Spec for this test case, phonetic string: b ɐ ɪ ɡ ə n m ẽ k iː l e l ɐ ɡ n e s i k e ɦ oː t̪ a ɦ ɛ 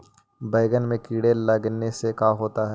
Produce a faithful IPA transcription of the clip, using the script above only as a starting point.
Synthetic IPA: b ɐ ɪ ɡ ə n m ẽ k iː ɽ e l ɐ ɡ n e s e k a ɦ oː t̪ a ɦ ɛ